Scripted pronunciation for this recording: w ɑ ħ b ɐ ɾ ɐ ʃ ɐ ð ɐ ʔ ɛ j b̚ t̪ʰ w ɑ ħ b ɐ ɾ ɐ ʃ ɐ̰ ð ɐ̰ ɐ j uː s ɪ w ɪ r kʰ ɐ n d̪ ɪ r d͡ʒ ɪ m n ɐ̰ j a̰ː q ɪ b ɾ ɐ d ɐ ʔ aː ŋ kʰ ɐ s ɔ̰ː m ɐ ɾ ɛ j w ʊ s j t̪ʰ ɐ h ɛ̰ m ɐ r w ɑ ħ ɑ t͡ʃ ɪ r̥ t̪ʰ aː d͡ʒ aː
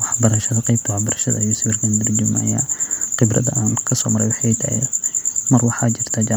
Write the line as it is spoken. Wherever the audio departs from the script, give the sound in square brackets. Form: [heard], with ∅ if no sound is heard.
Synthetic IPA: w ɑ ħ b ɐ ɾ ɐ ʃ ɐ ð ɐ [q] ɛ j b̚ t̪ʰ w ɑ ħ b ɐ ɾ ɐ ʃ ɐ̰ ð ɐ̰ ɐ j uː s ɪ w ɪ r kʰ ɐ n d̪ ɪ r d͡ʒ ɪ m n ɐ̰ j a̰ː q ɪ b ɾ ɐ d ɐ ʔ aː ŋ kʰ ɐ s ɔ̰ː m ɐ ɾ ɛ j w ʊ [ħ] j t̪ʰ ɐ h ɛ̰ m ɐ r w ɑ ħ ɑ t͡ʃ ɪ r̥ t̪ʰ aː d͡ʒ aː